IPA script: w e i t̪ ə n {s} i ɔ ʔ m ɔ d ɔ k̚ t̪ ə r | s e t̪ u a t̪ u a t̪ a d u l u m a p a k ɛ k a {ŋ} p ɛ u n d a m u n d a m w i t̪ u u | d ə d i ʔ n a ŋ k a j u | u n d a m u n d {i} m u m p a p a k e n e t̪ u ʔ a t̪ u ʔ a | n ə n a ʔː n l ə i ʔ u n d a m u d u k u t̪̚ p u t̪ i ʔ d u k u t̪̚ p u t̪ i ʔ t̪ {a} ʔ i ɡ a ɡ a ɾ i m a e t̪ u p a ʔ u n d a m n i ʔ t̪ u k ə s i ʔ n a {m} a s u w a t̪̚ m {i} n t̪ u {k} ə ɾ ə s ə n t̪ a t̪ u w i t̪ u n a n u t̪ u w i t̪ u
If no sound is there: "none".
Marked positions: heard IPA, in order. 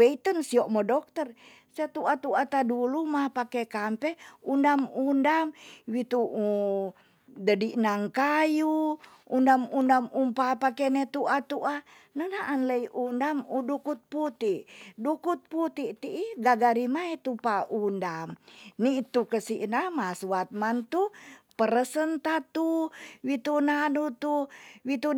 s, m, a, i, m, a, p

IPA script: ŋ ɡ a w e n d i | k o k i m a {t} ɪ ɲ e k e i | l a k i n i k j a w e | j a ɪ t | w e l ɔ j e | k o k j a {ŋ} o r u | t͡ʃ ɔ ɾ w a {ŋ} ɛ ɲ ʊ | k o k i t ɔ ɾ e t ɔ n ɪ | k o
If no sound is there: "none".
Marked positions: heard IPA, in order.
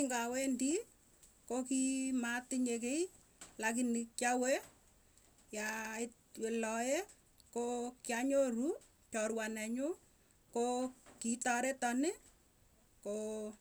t, ɲ, n

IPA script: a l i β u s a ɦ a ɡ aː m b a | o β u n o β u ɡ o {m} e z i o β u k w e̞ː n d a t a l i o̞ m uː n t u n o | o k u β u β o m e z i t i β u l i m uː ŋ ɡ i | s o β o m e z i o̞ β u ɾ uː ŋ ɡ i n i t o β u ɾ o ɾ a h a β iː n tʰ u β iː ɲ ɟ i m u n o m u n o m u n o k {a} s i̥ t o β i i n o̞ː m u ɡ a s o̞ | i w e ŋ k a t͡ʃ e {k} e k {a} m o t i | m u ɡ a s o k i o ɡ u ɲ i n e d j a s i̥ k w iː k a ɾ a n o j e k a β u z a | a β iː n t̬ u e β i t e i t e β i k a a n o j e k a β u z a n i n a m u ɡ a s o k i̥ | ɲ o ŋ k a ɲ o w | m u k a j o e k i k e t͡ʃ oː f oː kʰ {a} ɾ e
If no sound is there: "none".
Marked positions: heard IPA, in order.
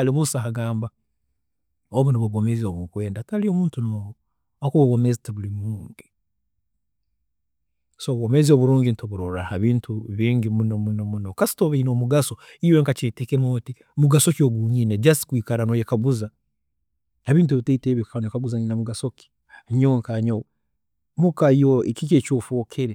m, a, t, e, e

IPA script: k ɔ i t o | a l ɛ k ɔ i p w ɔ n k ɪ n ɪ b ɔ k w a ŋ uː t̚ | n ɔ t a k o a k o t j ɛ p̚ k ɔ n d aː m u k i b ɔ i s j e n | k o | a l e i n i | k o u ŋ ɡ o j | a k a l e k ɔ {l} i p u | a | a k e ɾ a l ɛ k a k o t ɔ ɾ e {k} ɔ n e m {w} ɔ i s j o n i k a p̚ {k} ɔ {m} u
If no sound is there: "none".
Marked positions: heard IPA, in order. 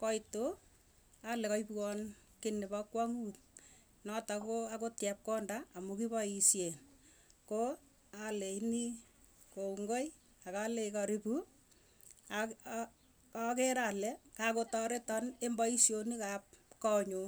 ɾ, t, b, k, ɲ

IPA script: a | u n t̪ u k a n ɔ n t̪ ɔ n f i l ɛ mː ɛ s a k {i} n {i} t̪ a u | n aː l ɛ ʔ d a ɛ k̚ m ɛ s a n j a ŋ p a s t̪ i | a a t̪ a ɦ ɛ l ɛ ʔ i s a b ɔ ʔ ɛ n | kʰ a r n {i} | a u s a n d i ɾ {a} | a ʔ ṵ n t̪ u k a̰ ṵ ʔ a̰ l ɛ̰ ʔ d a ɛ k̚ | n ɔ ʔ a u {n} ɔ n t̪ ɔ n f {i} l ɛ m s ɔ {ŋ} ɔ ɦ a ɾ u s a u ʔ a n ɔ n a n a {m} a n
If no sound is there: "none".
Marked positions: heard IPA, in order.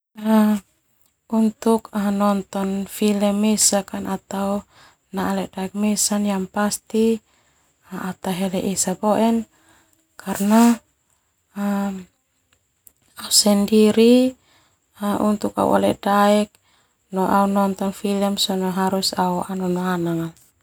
a, a, a, i, n, i, n, ŋ

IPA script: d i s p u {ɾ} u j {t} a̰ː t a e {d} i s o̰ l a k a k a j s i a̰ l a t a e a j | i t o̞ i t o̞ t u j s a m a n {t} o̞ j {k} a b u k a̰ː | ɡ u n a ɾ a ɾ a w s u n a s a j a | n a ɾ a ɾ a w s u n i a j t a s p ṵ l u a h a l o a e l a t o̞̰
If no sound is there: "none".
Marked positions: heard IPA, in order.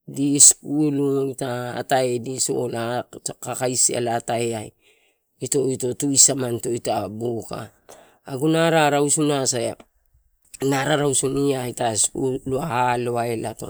l, t, d, t, t

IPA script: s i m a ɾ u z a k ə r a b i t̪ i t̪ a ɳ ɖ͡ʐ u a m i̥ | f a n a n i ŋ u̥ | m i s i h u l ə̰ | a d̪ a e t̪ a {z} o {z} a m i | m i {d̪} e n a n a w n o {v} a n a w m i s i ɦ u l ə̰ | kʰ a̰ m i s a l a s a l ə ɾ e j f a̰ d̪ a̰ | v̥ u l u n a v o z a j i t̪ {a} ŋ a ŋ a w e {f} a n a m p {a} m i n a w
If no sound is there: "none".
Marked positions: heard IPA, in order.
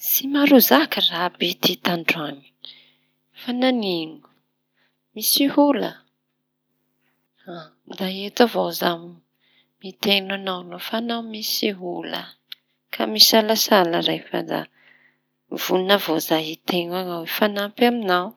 v, z, t̪, f, e, f, a

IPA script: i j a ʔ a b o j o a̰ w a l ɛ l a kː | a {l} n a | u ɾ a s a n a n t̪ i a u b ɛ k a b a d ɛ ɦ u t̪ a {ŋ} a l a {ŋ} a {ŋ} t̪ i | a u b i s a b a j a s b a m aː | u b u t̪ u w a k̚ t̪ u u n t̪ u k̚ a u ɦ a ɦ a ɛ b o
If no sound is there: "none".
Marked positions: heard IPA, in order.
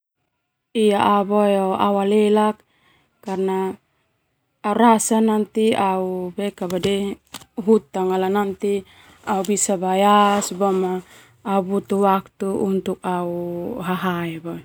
r, ŋ, n, n

